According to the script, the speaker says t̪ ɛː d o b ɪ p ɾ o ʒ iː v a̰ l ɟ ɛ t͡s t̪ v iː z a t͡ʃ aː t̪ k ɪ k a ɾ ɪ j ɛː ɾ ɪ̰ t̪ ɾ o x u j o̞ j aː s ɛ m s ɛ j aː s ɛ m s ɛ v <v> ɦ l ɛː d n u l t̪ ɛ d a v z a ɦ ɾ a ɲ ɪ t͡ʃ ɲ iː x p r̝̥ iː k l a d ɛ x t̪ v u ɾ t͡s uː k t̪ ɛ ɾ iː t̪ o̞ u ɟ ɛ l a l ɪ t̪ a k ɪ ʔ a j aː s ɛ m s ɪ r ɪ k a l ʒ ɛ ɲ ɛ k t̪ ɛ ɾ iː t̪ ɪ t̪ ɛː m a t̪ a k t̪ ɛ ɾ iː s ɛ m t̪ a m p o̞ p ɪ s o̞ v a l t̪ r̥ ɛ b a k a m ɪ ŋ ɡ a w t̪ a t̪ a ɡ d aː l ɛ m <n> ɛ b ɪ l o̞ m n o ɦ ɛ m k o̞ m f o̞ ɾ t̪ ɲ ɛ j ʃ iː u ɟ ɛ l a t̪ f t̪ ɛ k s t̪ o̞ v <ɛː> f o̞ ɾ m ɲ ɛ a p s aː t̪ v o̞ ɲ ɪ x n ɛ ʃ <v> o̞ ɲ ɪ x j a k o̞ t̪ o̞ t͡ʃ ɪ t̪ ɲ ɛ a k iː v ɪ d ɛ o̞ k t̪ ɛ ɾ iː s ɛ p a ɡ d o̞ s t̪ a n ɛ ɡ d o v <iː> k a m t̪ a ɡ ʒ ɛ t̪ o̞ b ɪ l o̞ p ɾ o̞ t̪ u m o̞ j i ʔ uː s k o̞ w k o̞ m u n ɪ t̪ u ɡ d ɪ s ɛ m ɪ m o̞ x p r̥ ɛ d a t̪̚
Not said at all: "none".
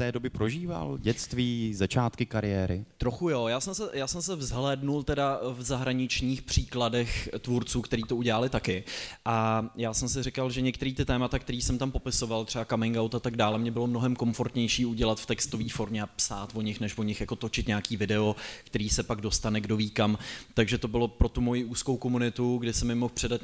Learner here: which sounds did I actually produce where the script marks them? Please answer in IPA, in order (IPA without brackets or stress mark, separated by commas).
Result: z, ɲ, iː, v, iː